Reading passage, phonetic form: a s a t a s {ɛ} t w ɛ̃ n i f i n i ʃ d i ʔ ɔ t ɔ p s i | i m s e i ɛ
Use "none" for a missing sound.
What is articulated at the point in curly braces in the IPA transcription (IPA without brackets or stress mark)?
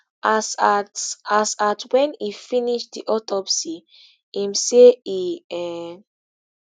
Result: a